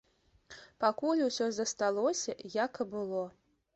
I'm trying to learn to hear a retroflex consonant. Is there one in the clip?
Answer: no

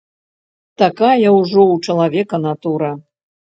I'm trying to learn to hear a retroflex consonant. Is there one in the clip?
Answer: yes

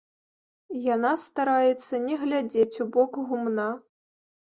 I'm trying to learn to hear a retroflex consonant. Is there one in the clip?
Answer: no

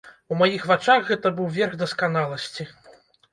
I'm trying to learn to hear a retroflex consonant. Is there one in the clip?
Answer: yes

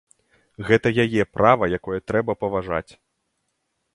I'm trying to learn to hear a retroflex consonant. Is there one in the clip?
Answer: yes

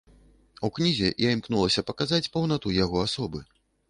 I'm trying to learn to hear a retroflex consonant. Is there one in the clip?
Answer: no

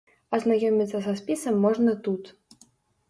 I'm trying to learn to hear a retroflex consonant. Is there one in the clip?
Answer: yes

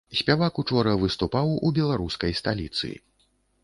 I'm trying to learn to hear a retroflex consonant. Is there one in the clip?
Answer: yes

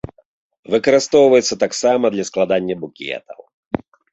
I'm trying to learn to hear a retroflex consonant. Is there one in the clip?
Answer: no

